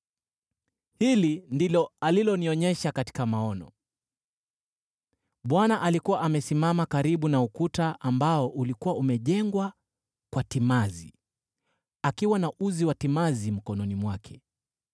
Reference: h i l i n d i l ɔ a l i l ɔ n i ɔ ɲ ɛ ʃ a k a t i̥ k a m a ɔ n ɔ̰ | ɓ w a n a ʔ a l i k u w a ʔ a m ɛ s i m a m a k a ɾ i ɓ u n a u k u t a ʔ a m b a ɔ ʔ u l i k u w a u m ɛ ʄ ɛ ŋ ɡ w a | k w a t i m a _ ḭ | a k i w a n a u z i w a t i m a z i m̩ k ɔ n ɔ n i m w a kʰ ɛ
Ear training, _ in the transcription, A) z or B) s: A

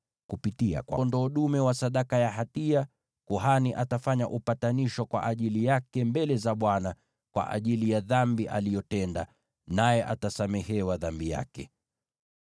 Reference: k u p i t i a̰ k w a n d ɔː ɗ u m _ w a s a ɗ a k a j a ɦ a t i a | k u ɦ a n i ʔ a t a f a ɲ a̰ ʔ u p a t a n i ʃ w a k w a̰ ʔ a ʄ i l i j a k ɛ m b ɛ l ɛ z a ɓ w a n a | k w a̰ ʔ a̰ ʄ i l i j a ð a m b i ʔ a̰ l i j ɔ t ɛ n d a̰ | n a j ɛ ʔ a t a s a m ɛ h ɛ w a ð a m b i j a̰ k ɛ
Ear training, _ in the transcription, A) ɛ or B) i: A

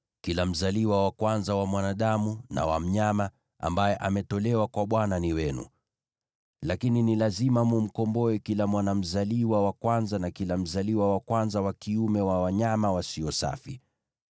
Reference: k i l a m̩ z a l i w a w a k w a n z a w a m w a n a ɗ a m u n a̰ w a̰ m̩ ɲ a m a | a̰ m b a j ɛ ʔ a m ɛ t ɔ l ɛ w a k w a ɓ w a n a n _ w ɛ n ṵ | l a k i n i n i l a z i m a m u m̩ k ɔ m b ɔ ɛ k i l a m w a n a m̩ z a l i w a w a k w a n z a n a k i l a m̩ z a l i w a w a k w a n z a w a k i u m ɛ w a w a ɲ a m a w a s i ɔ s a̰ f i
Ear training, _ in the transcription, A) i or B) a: A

